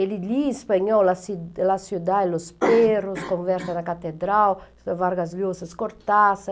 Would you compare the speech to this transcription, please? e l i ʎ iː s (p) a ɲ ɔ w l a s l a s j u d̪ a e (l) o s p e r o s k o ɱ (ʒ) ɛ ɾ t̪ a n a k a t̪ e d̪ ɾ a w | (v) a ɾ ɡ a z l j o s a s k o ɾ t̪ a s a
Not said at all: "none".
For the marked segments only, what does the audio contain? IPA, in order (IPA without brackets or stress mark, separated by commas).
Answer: p, l, v, v